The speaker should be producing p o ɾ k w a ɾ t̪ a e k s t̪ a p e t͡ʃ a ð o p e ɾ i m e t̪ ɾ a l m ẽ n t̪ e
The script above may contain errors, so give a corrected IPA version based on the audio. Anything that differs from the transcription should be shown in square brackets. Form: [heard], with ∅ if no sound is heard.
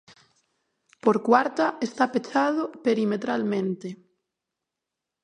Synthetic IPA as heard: p o ɾ k w a ɾ t̪ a e [∅] s t̪ a p e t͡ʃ a ð o p e ɾ i m e t̪ ɾ a l m ẽ n t̪ e

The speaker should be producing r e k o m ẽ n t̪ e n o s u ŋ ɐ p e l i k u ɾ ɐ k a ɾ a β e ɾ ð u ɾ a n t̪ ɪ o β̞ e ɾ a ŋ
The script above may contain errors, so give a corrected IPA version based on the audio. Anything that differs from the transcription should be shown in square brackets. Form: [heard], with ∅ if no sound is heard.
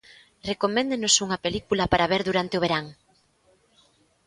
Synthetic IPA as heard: r e k o m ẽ n [d̪] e n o s u ŋ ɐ p e l i k u [l] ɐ [p] a ɾ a β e ɾ ð u ɾ a n t̪ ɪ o β̞ e ɾ a ŋ

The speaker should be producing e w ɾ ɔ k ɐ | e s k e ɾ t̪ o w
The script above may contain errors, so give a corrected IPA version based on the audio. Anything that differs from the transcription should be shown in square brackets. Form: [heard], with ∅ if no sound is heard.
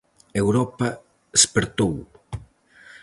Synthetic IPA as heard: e w ɾ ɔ [p] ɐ | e s [p] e ɾ t̪ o w

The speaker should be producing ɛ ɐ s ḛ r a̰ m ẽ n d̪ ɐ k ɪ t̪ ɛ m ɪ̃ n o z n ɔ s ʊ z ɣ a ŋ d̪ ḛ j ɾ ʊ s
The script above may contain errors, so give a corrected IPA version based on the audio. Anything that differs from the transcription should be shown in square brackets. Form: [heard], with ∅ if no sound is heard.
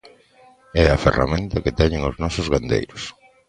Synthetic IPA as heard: ɛ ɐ [f] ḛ r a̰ m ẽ n [t̪] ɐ k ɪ t̪ ɛ [ɲ] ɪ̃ [ŋ] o z n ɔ s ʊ z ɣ a [n] d̪ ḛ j ɾ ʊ s

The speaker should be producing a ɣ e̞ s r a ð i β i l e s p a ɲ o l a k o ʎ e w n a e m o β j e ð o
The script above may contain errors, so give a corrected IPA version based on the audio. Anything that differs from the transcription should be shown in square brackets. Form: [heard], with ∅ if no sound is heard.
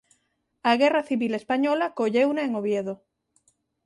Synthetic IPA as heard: a ɣ e̞ [∅] r a [θ] i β i l e s p a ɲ o l a k o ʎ e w n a e [ŋ] o β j e ð o

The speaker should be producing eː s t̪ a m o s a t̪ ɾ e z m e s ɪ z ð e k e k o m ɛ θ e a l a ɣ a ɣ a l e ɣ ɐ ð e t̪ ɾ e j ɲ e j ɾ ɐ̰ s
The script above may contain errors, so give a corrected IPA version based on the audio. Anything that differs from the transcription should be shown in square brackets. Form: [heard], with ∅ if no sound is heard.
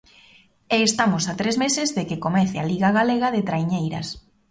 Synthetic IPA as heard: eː s t̪ a m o s a t̪ ɾ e z m e s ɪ z ð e k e k o m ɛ θ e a l [i] ɣ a ɣ a l e ɣ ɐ ð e t̪ ɾ [a] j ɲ e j ɾ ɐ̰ s

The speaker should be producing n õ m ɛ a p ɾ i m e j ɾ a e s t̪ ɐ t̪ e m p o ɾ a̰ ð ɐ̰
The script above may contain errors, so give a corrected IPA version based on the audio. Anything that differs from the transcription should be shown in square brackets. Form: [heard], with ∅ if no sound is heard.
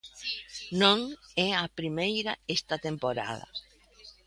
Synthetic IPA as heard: n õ [ŋ] ɛ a p ɾ i m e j ɾ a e s t̪ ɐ t̪ e m p o ɾ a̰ ð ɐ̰

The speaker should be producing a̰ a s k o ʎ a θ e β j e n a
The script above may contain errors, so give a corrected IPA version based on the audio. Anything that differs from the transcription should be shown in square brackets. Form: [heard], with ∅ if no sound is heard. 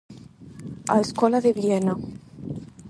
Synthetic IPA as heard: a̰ [e] s k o [l] a [ð] e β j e n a

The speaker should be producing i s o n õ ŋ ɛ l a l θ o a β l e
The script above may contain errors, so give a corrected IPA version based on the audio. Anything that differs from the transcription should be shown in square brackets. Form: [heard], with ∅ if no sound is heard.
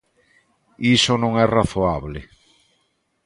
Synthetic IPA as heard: i s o n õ ŋ ɛ [r] a [∅] θ o a β l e

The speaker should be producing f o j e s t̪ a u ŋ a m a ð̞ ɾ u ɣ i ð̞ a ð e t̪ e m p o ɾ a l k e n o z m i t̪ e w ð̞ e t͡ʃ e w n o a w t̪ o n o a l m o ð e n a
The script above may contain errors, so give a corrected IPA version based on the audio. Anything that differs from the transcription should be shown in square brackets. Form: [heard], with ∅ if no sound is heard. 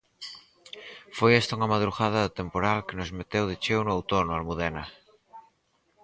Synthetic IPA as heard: f o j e s t̪ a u ŋ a m a ð̞ ɾ u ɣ [a] ð̞ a ð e t̪ e m p o ɾ a l k e n o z m [e] t̪ e w ð̞ e t͡ʃ e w n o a w t̪ o n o a l m [u] ð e n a

